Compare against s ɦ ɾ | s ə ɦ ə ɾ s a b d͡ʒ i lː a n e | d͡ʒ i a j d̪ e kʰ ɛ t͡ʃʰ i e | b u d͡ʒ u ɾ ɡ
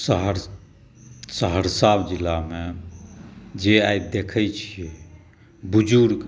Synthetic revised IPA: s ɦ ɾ | s ə ɦ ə ɾ s a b d͡ʒ i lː a m e | d͡ʒ e a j d̪ e kʰ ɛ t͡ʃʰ i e | b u d͡ʒ u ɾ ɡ